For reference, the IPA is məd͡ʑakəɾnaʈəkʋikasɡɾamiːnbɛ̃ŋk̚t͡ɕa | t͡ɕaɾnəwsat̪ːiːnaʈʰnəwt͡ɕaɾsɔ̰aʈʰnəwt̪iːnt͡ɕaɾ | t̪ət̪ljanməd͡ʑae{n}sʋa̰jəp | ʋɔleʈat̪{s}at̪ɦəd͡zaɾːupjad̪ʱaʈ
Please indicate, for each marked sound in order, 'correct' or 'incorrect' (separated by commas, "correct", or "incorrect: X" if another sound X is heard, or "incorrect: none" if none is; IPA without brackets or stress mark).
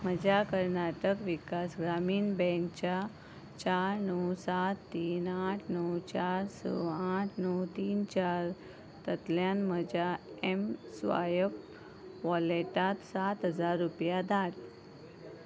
incorrect: m, correct